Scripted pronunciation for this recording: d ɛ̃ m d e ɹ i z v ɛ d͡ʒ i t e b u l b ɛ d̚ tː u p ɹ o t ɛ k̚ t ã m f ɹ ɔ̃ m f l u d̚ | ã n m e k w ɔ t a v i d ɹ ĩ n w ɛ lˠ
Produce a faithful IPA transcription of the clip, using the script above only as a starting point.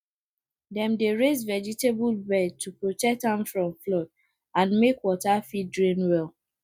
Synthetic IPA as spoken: d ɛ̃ m d e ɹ e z v ɛ d͡ʒ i t e b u l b ɛ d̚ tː u p ɹ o t ɛ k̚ t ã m f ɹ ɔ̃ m f l ɔ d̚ | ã n m e k w ɔ t a f i d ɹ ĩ n w ɛ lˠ